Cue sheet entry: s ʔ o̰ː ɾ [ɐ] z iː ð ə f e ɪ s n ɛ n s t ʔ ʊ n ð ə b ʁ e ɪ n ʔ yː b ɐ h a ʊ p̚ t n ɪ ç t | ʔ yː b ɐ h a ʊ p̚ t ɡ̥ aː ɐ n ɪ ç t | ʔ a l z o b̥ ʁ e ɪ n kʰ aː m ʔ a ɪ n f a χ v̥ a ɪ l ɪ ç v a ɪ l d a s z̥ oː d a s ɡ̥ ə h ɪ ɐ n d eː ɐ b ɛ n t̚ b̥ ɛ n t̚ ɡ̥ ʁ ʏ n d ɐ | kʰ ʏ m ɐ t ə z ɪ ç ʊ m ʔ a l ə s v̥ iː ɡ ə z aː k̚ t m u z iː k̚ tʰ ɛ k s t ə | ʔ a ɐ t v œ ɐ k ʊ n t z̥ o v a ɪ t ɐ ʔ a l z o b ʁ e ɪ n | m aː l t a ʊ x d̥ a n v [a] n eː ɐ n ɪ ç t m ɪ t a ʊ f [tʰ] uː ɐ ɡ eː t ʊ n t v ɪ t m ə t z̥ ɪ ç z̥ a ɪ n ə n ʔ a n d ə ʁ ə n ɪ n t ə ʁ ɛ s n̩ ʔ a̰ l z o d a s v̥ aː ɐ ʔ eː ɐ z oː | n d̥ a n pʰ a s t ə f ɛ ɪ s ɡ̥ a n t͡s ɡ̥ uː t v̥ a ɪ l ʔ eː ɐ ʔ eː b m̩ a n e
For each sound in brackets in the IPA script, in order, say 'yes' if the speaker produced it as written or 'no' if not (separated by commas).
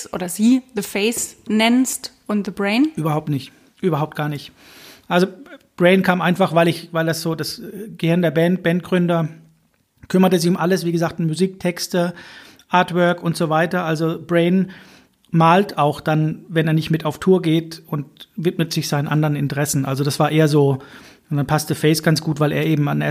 yes, no, yes